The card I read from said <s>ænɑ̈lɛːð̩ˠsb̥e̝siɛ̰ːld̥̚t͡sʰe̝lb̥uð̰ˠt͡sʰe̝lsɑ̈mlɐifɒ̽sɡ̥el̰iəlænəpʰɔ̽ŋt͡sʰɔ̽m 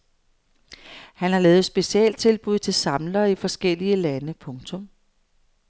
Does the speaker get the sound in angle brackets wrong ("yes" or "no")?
yes